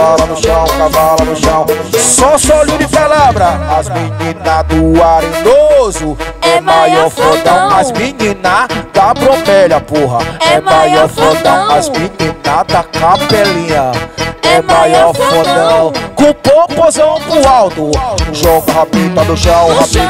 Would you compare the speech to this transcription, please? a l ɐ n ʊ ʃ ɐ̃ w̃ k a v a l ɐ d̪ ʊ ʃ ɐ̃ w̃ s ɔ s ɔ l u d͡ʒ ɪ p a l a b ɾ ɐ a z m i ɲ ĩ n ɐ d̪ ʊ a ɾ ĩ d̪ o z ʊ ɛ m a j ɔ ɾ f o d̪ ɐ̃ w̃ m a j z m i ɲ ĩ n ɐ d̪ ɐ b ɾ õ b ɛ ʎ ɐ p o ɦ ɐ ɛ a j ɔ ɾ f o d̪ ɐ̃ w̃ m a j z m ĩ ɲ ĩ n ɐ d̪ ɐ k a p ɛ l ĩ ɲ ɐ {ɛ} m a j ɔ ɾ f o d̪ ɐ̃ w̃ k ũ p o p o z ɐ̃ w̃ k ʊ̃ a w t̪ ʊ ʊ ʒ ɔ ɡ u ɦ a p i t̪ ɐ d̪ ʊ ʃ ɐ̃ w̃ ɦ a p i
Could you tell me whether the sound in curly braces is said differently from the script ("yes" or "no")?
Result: no